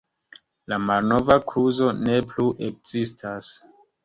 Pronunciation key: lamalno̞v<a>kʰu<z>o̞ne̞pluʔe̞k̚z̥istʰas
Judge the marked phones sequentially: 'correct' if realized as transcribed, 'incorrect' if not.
correct, correct

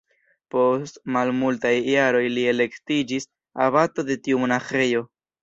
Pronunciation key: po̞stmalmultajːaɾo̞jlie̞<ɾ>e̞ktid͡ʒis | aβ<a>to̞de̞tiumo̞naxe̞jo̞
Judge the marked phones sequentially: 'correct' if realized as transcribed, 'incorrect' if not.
incorrect: l, correct

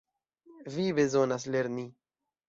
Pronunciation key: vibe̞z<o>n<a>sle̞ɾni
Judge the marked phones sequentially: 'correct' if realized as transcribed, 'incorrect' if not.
correct, correct

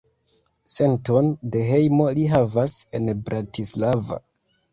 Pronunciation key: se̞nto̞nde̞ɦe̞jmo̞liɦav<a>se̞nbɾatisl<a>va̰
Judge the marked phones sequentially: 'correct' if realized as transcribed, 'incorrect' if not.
correct, correct

